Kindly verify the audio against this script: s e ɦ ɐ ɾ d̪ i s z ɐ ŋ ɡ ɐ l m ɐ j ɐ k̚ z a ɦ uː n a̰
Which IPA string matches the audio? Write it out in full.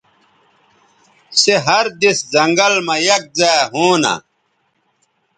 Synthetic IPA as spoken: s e ɦ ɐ ɾ d̪ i s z ɐ ŋ ɡ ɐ l m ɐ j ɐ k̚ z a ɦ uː n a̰